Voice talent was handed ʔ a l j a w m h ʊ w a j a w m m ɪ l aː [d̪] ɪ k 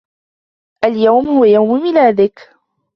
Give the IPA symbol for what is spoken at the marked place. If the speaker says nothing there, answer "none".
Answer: d̪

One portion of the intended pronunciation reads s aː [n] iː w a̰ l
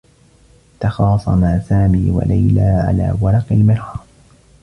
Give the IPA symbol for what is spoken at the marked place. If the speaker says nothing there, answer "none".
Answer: m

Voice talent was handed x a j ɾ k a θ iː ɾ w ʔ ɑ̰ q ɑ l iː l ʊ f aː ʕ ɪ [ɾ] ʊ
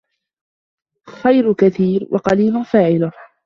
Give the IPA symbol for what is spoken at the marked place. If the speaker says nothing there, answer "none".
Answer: l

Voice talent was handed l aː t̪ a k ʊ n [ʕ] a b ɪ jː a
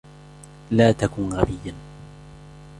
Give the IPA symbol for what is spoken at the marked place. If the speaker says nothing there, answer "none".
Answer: ɣ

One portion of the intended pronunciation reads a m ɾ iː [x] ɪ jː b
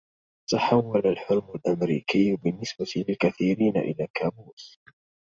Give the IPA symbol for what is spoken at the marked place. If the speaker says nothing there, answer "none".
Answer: k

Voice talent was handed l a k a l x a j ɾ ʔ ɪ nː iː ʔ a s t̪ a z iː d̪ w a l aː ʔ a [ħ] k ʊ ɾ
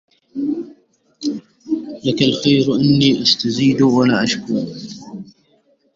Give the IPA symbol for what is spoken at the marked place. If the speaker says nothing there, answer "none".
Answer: ʃ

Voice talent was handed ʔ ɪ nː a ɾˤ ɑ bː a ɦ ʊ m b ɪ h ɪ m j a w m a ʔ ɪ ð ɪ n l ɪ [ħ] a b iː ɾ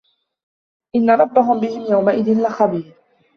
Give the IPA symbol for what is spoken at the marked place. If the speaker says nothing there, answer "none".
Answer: x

